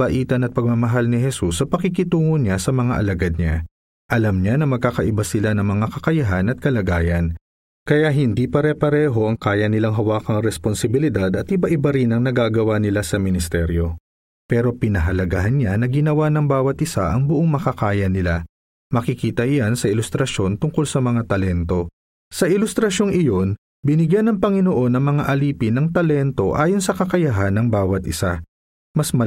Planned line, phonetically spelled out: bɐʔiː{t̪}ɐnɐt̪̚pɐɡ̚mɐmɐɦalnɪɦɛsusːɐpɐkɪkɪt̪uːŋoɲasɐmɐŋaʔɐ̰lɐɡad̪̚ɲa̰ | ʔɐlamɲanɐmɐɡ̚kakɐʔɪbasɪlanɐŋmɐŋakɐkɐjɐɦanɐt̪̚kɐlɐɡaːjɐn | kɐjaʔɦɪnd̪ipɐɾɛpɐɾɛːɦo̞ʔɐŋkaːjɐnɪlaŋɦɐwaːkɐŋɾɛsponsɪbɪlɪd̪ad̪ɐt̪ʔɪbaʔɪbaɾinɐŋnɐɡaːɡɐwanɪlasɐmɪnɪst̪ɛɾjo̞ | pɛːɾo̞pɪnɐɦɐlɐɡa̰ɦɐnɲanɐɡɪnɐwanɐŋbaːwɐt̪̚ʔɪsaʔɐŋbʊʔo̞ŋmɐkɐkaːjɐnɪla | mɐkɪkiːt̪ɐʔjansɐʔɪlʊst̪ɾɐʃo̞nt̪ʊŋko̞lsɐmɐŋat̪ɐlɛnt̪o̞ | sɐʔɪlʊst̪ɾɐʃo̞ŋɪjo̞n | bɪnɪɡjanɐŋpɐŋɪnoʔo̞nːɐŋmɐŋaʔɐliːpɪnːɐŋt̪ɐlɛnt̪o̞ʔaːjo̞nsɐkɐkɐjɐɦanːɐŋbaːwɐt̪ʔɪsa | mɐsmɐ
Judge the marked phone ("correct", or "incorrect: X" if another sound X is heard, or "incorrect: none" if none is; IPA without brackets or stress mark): correct